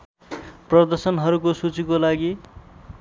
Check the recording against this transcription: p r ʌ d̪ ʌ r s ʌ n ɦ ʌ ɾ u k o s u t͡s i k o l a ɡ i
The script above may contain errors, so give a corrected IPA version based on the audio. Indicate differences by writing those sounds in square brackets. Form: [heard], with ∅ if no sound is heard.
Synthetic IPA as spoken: p r ʌ d̪ ʌ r s ʌ n ɦ ʌ ɾ u k o s u t͡s i k o l a ɡ i